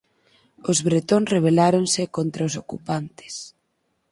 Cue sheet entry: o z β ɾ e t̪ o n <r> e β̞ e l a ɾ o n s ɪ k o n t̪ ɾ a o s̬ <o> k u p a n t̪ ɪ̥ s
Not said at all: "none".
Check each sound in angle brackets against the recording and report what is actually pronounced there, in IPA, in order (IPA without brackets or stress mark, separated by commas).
r, o